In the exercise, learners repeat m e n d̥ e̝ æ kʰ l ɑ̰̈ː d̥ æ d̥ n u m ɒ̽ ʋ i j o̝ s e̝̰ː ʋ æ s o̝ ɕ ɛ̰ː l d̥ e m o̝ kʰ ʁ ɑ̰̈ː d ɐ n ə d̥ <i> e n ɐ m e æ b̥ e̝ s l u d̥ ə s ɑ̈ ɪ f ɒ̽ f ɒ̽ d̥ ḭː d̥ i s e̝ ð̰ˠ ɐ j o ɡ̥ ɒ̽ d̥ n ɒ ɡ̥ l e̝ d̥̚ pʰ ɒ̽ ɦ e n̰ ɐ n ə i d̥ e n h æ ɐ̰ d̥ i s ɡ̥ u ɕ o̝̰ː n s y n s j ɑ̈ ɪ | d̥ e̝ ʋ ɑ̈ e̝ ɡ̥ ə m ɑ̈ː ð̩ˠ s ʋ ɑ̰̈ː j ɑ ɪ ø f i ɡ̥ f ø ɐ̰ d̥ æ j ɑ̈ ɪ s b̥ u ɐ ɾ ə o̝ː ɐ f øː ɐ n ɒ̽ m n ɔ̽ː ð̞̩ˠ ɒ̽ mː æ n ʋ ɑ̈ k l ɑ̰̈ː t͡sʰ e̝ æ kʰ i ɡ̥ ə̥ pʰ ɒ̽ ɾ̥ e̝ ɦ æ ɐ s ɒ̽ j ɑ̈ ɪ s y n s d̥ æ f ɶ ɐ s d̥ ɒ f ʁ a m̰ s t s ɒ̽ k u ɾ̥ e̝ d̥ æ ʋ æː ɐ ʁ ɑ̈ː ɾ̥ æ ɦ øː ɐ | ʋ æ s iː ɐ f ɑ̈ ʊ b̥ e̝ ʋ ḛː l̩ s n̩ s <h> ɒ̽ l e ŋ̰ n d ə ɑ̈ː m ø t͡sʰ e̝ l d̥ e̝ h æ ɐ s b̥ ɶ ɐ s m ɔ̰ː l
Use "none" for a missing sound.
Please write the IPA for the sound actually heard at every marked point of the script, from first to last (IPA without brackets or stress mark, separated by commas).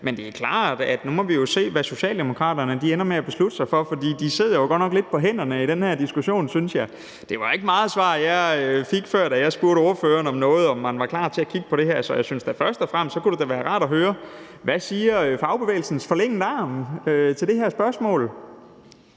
i, f